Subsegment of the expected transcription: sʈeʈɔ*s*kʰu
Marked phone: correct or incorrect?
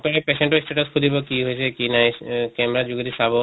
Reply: correct